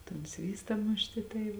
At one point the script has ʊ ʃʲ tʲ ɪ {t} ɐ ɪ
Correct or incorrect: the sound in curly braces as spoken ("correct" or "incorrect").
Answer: correct